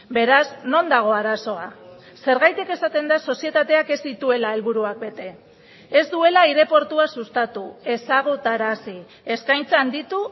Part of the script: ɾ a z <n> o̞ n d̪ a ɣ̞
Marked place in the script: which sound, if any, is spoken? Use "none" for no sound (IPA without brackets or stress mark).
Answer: n